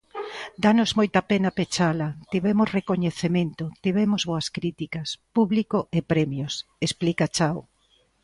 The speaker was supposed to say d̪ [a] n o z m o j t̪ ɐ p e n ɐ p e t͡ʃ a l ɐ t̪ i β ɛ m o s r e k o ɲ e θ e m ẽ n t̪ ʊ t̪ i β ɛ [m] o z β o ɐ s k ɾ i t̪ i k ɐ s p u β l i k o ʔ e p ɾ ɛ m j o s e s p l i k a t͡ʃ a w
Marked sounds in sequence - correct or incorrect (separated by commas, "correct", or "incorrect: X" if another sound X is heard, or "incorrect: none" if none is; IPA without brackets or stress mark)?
correct, correct